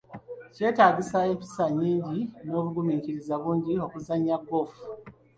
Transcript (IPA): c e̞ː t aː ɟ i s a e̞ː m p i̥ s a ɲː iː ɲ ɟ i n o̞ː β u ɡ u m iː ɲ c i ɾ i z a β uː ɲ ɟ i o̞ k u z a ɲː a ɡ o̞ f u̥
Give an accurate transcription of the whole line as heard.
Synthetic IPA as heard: c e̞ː t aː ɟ i s a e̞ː m p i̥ s a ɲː iː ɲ ɟ i n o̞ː β u ɡ u m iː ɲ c i ɾ i z a β uː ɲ ɟ i o̞ k u z a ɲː a ɡ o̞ f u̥